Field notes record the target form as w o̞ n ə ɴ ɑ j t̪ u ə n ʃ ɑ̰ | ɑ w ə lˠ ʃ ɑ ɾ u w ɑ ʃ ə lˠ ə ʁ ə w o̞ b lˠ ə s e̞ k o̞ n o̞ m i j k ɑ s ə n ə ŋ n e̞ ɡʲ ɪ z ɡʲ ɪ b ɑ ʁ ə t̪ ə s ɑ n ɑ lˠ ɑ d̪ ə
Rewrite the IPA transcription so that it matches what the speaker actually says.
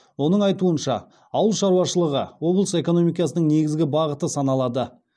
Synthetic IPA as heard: w o̞ n ə ɴ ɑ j t̪ u ə n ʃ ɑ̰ | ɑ w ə lˠ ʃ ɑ ɾ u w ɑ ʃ ə lˠ ə ʁ ə w o̞ b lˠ ə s e̞ k o̞ n o̞ m i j k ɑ s ə n ə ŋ n e̞ ɡʲ ɪ z ɡʲ ɪ b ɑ ʁ ə t̪ ə s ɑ n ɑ lˠ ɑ d̪ ə